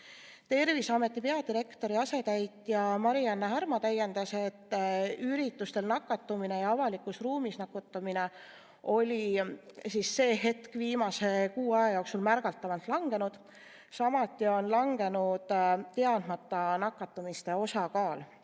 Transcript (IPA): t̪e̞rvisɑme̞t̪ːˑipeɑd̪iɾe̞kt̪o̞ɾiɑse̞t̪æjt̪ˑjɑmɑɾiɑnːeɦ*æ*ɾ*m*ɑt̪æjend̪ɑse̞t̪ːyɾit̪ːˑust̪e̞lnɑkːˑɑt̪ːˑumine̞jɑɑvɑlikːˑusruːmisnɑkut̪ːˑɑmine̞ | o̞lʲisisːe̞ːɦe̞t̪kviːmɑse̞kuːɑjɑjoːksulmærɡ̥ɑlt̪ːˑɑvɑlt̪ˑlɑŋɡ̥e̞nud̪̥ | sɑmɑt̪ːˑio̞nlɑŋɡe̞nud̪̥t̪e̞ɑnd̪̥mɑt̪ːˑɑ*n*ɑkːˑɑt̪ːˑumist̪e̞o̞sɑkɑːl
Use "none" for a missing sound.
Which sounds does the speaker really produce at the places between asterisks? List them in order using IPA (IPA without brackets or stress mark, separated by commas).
æ, m, n